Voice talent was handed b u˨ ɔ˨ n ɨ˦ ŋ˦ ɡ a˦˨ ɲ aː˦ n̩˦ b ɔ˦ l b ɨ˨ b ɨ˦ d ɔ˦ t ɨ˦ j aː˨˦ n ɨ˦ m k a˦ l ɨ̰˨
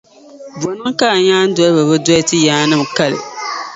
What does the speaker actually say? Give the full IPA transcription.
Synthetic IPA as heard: b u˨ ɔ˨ n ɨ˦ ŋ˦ k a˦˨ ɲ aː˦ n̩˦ d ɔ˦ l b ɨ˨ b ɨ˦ d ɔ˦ t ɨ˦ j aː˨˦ n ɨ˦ m k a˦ l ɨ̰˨

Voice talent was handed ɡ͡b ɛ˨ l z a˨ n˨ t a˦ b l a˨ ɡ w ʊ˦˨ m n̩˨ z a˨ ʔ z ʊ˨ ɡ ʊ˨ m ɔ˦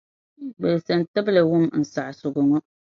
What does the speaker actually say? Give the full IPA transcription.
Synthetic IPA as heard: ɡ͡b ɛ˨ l s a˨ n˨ t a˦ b l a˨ w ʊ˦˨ m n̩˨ s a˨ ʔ s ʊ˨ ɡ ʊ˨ ŋ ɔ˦

